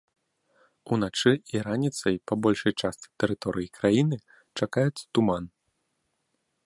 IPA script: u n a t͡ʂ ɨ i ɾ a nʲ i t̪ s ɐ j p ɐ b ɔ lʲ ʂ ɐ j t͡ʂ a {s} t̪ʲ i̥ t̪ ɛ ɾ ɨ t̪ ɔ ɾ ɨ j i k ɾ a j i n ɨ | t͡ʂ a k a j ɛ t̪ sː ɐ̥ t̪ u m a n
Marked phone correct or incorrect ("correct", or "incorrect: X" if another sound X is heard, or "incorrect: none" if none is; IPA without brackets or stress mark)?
correct